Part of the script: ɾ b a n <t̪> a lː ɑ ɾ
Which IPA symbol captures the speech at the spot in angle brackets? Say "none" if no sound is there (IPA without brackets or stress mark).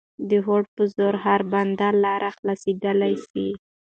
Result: d̪